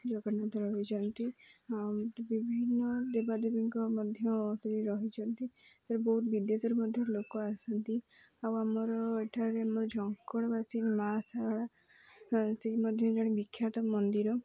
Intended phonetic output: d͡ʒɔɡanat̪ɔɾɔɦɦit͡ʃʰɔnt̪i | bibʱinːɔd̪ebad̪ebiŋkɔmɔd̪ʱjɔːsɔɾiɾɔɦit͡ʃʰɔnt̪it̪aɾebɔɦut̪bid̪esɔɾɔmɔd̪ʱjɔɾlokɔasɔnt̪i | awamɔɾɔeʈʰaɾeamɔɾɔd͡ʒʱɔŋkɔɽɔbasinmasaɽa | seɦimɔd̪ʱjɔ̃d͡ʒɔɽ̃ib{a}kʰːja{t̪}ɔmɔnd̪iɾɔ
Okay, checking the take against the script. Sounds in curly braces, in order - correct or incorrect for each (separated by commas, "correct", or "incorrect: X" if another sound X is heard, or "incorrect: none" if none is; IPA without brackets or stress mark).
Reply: incorrect: i, correct